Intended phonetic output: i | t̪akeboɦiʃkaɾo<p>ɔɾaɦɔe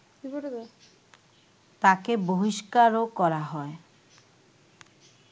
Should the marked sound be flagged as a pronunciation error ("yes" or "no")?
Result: yes